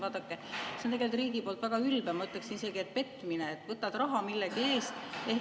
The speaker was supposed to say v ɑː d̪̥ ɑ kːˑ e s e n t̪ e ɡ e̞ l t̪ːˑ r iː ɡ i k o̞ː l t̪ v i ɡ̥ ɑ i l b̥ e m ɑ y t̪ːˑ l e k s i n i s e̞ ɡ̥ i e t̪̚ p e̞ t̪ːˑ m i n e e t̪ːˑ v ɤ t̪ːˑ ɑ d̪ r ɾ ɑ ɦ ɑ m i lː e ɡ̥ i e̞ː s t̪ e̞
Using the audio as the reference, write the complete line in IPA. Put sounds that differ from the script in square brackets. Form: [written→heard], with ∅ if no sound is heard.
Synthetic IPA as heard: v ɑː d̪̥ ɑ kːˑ e s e n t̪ e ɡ e̞ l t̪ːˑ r iː ɡ i [k→p] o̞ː l t̪ v [i→æ] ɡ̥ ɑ [i→y] l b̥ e m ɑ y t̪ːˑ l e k s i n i s e̞ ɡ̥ i e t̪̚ p e̞ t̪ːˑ m i n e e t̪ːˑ v ɤ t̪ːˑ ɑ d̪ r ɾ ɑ ɦ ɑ m i lː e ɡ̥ i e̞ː s t̪ e̞